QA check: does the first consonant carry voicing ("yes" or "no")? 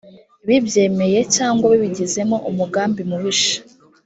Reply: yes